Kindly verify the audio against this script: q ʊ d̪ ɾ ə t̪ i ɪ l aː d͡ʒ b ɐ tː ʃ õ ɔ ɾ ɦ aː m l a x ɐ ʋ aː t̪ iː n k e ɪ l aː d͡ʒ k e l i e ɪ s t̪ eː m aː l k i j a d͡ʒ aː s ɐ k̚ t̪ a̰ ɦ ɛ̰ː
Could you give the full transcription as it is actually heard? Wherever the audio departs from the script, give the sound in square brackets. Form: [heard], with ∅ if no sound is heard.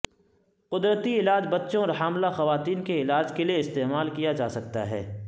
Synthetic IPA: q ʊ d̪ ɾ ə t̪ i ɪ l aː d͡ʒ b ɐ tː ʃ õ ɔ ɾ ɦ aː m l a x ɐ ʋ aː t̪ iː n k e ɪ l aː d͡ʒ k e l i e ɪ s t̪ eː m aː l k i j a d͡ʒ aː s ɐ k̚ t̪ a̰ ɦ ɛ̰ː